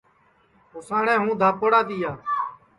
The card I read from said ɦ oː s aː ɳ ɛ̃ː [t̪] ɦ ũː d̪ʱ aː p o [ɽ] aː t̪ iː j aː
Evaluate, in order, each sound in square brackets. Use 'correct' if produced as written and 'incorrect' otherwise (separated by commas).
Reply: incorrect, correct